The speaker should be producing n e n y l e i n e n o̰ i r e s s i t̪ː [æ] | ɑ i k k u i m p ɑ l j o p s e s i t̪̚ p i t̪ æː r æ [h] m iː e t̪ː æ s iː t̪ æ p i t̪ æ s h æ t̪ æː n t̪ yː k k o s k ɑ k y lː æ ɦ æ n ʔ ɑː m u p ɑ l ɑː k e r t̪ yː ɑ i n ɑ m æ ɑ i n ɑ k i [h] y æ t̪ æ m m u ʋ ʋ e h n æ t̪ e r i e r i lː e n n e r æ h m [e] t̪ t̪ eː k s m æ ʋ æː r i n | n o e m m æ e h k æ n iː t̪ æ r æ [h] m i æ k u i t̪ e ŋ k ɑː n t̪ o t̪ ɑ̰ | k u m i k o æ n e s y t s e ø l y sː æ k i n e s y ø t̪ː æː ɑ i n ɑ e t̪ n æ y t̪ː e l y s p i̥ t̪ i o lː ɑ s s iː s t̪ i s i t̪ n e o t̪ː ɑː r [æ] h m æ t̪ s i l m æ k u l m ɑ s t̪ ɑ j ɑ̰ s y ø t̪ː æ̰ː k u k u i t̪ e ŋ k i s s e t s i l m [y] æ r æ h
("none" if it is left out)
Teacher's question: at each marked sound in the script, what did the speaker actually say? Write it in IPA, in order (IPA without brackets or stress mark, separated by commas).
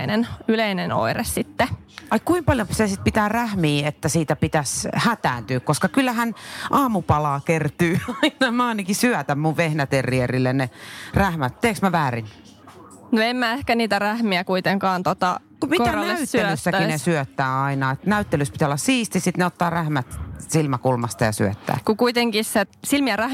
e, h, s, æ, h, æ, i